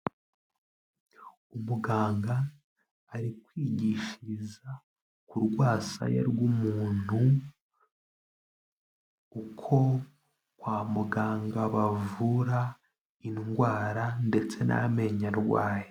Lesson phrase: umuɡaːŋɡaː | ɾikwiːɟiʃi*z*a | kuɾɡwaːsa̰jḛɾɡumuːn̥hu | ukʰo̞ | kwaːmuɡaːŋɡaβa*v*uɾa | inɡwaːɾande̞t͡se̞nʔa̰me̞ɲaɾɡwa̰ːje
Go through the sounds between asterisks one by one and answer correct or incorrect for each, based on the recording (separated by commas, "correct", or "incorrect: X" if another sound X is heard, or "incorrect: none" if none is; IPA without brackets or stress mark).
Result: correct, correct